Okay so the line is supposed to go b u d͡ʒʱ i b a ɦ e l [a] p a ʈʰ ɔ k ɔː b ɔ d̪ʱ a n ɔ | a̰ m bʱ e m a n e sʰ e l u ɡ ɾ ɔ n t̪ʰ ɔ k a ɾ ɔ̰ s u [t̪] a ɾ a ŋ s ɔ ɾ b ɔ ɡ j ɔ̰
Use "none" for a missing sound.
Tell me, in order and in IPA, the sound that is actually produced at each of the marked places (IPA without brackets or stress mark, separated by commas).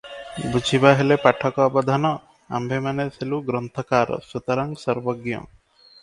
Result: e, t̪